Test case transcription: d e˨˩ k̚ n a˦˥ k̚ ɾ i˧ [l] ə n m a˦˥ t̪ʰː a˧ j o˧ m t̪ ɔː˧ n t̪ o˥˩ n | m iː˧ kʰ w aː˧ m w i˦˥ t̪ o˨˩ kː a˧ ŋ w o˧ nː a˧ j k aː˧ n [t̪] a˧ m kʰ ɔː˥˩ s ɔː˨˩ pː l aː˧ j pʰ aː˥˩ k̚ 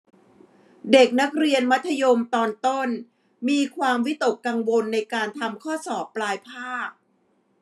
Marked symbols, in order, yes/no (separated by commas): no, no